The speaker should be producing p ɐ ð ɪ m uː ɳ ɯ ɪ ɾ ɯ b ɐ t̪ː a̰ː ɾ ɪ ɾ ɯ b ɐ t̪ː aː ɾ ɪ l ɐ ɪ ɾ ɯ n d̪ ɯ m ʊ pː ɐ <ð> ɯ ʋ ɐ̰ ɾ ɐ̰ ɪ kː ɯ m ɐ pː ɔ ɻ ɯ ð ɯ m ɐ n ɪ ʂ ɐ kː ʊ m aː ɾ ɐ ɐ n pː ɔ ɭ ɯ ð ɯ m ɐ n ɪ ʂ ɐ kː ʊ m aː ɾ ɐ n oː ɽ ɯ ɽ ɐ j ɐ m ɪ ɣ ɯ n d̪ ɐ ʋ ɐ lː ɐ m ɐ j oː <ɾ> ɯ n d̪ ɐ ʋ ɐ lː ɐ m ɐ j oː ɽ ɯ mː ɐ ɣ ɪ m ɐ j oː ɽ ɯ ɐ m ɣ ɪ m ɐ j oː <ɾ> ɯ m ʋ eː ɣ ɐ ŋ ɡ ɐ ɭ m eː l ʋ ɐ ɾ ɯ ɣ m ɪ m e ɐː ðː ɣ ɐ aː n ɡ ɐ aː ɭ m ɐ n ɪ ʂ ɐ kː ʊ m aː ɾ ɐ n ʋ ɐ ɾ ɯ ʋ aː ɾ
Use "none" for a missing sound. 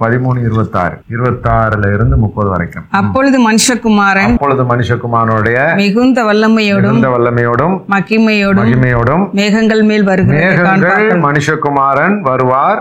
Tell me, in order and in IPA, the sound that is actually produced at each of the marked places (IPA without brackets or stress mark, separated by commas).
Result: ð, ɽ, ɽ